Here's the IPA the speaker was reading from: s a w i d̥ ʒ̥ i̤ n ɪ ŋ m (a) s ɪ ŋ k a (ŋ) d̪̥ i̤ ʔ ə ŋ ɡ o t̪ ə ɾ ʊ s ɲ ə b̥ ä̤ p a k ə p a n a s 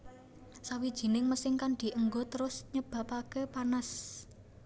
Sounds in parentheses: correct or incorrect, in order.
incorrect: ə, incorrect: n

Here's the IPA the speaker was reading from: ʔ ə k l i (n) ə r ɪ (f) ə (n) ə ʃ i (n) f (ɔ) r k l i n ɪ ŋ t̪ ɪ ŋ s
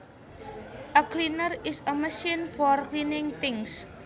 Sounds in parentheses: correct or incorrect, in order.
correct, incorrect: s, incorrect: m, correct, correct

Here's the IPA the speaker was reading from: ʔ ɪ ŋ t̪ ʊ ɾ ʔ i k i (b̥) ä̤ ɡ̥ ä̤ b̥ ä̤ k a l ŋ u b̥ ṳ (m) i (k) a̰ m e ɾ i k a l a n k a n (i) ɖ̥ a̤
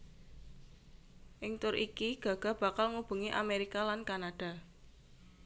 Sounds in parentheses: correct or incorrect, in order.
incorrect: ɡ̥, incorrect: ŋ, incorrect: ʔ, incorrect: a

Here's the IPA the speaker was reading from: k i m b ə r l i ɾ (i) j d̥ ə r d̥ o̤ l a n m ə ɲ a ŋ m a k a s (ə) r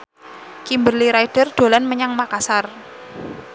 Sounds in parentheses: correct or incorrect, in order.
incorrect: a, incorrect: a

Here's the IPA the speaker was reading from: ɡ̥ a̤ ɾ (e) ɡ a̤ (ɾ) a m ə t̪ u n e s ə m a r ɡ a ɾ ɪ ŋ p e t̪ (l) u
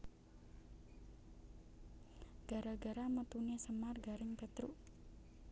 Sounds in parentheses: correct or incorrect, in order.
incorrect: a, correct, incorrect: ɾ

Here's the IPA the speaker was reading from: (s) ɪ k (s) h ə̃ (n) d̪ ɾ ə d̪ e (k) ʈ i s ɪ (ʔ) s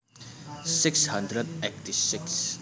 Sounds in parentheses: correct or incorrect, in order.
correct, correct, correct, correct, incorrect: k

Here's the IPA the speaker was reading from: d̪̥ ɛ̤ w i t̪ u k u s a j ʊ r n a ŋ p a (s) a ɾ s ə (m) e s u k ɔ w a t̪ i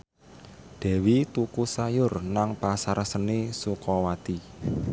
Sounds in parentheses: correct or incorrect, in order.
correct, incorrect: n

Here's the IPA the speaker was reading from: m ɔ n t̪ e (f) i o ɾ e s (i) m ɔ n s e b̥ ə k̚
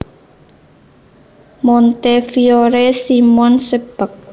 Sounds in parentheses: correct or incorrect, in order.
correct, correct

